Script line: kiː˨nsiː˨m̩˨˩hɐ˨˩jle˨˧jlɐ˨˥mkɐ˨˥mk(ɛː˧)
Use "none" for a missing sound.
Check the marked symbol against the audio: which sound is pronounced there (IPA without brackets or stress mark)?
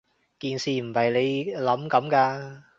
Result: aː˧